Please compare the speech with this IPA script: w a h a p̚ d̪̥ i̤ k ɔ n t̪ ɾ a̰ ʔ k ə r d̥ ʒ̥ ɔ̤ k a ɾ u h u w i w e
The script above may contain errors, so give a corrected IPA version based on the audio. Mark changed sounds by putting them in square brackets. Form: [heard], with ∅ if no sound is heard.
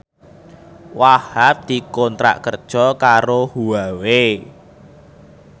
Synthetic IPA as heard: w a h a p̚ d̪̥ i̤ k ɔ n t̪ ɾ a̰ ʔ k ə r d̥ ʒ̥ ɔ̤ k a ɾ [o] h u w [a] w e